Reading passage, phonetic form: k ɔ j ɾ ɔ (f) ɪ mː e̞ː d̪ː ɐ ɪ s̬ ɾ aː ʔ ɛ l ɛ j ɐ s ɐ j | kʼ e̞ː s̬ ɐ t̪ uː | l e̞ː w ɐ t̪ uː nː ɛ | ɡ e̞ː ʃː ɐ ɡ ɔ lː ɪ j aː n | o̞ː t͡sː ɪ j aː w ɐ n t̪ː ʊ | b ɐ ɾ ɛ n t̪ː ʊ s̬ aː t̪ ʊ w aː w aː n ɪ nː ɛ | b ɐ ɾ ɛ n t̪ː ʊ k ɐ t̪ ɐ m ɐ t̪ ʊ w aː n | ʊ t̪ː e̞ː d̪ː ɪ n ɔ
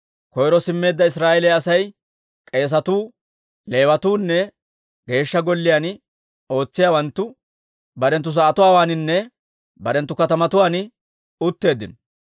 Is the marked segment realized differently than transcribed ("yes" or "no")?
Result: yes